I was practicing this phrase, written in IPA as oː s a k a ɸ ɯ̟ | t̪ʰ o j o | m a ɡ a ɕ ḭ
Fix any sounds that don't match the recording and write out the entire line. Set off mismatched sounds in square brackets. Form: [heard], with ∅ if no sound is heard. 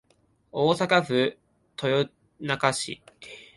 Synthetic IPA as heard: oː s a k a ɸ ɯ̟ | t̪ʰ o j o | [n] a [k] a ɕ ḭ